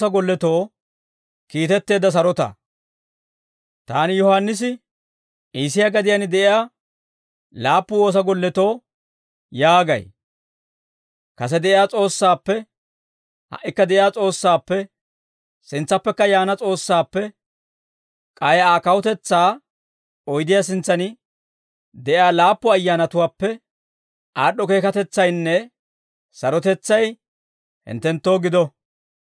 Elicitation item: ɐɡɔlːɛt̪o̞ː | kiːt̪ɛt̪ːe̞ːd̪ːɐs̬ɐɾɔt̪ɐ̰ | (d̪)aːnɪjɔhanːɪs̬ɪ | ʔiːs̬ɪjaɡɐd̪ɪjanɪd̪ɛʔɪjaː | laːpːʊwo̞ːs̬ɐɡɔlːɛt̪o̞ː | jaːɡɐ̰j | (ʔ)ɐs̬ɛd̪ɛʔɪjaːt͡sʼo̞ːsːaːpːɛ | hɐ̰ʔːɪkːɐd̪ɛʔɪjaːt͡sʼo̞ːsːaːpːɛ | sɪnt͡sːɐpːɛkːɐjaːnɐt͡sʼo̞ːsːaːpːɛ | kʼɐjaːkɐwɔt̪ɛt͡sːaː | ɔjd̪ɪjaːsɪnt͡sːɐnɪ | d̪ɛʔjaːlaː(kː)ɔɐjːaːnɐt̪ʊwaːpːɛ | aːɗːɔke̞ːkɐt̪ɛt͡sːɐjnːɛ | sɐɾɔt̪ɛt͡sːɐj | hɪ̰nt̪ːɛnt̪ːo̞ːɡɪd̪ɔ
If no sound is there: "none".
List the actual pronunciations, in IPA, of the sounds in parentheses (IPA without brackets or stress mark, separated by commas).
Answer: t̪, k, pː